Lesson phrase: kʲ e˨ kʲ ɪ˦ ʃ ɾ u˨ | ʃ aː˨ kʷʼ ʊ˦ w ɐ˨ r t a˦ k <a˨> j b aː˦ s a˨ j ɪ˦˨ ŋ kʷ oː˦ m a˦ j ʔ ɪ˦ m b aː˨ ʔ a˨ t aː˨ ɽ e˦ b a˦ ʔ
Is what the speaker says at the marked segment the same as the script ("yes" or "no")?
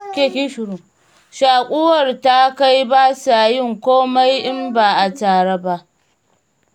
no